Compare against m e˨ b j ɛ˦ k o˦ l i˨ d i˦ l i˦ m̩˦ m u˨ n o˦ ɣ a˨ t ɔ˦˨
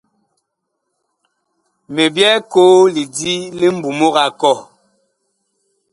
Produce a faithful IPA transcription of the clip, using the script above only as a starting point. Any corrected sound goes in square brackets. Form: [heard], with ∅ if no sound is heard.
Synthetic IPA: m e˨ b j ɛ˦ k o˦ l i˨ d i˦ l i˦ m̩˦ [b] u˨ [m] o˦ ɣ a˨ [k] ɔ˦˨